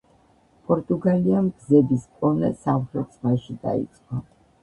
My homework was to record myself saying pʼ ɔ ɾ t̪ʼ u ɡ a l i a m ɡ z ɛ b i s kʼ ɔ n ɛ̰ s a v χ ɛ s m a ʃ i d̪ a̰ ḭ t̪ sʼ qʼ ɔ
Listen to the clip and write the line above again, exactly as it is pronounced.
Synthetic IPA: pʼ ɔ ɾ t̪ʼ u ɡ a l i a m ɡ z ɛ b i s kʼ ɔ n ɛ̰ s a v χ ɛ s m a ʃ i d̪ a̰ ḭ t̪ sʼ qʼ ɔ